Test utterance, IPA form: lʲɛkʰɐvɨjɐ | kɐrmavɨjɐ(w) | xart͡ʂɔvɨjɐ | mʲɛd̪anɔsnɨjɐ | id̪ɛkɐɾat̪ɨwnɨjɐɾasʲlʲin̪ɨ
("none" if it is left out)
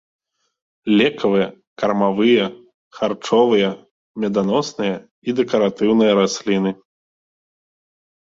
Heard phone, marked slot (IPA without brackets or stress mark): none